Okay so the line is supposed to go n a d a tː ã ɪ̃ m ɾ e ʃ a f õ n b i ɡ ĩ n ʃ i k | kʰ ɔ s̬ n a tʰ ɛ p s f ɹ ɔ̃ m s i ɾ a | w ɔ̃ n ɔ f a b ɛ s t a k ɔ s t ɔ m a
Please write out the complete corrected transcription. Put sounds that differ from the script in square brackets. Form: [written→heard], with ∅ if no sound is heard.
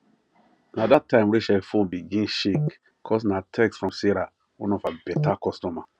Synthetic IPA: n a d a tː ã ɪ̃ m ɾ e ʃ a f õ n b i ɡ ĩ n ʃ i k | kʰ ɔ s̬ n a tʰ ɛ [p→k] s f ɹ ɔ̃ m s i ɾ a | w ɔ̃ n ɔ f a b ɛ [s→∅] t a k ɔ s t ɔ m a